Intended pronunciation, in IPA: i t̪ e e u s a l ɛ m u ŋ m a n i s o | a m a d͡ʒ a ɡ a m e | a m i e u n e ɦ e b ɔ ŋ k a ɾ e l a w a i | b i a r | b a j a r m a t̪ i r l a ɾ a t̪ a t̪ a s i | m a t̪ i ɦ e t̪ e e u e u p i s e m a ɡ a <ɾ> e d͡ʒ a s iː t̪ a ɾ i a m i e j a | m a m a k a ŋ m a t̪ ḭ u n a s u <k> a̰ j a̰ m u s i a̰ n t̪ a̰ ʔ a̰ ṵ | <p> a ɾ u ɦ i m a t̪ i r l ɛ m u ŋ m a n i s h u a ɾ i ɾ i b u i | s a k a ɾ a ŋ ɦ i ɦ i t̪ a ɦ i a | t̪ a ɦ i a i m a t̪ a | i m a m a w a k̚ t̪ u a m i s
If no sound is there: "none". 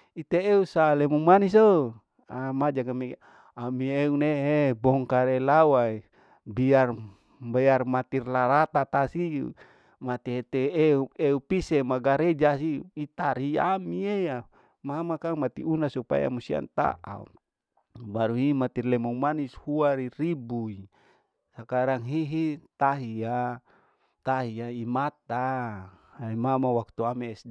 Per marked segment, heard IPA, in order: ɾ, p, b

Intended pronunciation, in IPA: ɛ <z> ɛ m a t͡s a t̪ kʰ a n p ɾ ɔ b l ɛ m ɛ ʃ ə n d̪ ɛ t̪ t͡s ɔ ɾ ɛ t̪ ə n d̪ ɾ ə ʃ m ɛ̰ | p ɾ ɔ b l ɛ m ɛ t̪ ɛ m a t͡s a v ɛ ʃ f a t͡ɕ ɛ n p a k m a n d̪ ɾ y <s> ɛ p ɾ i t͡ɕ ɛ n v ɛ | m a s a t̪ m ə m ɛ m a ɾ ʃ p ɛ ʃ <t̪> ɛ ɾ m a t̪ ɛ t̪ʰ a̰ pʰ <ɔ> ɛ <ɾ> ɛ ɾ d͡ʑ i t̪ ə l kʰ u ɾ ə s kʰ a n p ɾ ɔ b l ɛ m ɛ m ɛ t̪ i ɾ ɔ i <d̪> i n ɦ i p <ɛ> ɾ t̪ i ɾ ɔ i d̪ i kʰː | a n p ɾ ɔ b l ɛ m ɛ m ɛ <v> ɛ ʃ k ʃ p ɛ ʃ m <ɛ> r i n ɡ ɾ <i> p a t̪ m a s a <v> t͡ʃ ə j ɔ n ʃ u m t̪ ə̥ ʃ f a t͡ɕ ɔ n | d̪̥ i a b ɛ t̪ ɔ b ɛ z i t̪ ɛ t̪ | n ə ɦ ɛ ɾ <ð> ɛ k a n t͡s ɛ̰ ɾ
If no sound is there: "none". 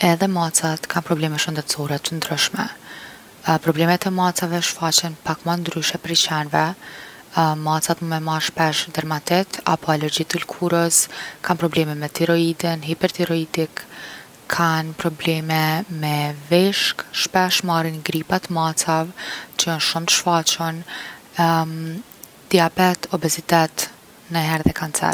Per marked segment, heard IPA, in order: ð, ʃ, d̪, ɔ, l, d̪, ɛ, v, a, i, v, ð

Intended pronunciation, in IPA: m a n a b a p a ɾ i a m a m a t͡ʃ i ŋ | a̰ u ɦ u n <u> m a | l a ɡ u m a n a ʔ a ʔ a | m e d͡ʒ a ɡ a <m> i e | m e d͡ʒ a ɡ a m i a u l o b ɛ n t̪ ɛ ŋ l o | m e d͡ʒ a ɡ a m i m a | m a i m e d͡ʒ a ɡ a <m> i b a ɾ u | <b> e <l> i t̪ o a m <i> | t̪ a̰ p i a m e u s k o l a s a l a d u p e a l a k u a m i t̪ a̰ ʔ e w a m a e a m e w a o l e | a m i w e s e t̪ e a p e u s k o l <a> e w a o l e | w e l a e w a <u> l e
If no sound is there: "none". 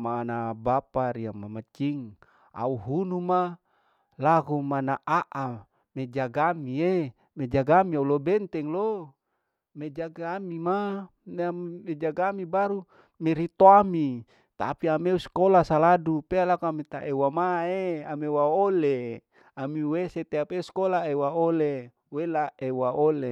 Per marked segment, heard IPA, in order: u, m, m, m, ɾ, i, a, o

